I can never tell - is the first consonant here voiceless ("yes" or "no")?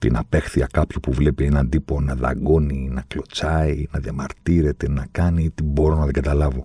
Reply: yes